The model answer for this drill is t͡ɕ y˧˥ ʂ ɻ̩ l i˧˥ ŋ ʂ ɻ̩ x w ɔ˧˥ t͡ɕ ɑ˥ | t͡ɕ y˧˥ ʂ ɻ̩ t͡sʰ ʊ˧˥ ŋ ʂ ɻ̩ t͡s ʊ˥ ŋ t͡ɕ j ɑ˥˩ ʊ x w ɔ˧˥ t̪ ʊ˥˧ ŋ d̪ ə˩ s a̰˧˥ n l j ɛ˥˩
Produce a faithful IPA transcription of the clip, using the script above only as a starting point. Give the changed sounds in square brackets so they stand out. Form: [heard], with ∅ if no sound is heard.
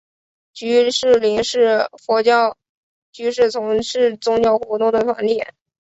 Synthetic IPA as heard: t͡ɕ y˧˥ ʂ ɻ̩ l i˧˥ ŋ ʂ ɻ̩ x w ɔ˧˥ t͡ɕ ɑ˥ | t͡ɕ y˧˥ ʂ ɻ̩ t͡sʰ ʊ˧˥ ŋ ʂ ɻ̩ t͡s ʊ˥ ŋ t͡ɕ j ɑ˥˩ ʊ x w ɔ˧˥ t̪ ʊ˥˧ ŋ d̪ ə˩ [f] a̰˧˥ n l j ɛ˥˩

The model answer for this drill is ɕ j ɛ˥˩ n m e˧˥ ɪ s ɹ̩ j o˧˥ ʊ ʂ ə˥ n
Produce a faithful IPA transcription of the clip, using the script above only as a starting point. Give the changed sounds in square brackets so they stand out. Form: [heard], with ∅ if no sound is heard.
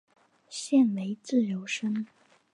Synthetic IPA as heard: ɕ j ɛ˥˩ n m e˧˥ ɪ [t͡s] ɹ̩ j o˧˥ ʊ ʂ ə˥ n

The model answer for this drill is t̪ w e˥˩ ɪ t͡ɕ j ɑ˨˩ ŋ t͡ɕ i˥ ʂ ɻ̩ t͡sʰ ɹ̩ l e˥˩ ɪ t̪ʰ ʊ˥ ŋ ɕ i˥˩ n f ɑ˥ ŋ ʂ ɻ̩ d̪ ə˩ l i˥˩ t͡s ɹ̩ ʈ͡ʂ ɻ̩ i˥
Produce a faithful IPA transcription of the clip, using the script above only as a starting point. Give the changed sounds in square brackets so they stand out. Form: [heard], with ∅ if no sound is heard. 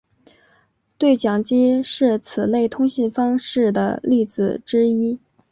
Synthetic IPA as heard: t̪ w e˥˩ ɪ t͡ɕ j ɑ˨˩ ŋ t͡ɕ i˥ ʂ ɻ̩ t͡sʰ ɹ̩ l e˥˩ ɪ t̪ʰ ʊ˥ ŋ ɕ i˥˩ n f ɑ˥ ŋ ʂ ɻ̩ d̪ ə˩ l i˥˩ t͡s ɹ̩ ʈ͡ʂ ɻ̩ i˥

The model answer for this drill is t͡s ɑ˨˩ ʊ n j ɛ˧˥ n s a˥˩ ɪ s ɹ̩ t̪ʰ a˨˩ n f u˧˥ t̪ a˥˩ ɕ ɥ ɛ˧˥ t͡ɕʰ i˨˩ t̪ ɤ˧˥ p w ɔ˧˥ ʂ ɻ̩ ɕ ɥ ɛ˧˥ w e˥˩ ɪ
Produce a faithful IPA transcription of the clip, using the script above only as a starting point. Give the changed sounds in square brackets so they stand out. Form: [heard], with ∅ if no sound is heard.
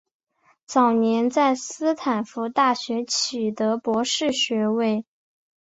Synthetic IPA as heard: t͡s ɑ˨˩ ʊ n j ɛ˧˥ n [t͡s] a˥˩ ɪ s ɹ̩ t̪ʰ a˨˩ n f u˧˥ t̪ a˥˩ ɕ ɥ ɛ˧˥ t͡ɕʰ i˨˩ t̪ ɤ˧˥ p w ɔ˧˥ ʂ ɻ̩ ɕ ɥ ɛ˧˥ w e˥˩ ɪ

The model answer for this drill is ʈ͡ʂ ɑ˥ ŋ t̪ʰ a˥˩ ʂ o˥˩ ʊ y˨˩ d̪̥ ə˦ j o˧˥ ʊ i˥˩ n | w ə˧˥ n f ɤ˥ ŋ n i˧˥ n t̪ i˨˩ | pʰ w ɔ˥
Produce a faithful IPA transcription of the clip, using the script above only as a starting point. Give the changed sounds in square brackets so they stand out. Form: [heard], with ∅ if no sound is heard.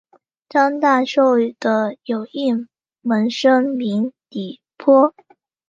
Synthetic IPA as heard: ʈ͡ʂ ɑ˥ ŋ [t̪] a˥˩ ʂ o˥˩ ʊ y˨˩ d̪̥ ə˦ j [o˨˩] ʊ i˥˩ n | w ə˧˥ n [ʂ] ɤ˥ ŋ [m] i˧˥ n t̪ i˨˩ | pʰ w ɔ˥

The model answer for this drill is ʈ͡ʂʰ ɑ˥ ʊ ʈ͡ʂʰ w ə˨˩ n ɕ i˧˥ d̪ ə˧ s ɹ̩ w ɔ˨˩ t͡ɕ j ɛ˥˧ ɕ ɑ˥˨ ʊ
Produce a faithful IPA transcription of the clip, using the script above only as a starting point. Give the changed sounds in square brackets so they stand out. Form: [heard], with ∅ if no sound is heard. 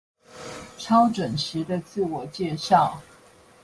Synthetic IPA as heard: ʈ͡ʂʰ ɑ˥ ʊ [ʈ͡ʂ] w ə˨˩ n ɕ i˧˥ d̪ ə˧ [t͡s] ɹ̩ w ɔ˨˩ t͡ɕ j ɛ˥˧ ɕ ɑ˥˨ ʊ

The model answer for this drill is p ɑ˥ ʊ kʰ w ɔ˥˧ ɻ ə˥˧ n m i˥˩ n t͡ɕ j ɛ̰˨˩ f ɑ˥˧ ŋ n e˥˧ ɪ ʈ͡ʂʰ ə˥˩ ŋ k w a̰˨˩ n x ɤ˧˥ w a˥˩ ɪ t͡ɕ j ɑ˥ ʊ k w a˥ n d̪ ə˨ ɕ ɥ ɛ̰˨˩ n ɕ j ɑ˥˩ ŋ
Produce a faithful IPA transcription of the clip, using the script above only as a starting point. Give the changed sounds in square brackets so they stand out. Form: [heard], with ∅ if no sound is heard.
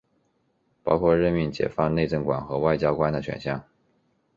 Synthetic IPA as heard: p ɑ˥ ʊ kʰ w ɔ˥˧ ɻ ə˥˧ n m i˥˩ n t͡ɕ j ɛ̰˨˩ f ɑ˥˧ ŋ n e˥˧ ɪ [ʈ͡ʂ] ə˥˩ ŋ k w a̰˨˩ n x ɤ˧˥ w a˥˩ ɪ t͡ɕ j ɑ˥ ʊ k w a˥ n d̪ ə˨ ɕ ɥ ɛ̰˨˩ n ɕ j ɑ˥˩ ŋ

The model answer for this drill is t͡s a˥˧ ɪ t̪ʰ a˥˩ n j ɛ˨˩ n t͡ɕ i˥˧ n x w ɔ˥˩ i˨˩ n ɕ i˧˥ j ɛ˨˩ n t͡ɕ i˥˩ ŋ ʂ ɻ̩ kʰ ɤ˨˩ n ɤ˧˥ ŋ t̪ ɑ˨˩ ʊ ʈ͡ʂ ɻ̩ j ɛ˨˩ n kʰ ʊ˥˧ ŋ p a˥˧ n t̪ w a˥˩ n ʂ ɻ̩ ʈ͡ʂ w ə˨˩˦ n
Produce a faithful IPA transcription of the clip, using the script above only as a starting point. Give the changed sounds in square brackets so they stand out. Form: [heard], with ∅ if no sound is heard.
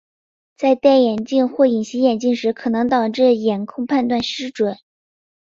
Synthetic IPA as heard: t͡s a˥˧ ɪ [t̪] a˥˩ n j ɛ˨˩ n t͡ɕ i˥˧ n x w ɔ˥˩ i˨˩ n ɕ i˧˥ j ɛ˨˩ n t͡ɕ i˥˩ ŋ ʂ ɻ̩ kʰ ɤ˨˩ n ɤ˧˥ ŋ t̪ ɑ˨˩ ʊ ʈ͡ʂ ɻ̩ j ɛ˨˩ n kʰ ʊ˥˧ ŋ [pʰ] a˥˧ n t̪ w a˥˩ n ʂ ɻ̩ ʈ͡ʂ w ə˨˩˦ n

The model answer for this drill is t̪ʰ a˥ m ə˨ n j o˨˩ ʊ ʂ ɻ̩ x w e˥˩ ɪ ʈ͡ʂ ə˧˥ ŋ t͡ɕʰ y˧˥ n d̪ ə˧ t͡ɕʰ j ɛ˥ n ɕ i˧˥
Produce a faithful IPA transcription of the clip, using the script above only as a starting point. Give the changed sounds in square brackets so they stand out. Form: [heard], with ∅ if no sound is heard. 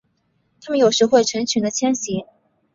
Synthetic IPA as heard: t̪ʰ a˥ m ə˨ n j o˨˩ ʊ ʂ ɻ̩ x w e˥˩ ɪ [ʈ͡ʂʰ] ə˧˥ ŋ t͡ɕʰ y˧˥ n d̪ ə˧ t͡ɕʰ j ɛ˥ n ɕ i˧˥

